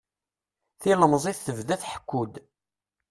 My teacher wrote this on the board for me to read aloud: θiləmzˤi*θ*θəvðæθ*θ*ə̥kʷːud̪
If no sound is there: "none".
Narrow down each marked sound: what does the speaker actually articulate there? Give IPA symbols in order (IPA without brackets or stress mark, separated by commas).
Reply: θ, ħ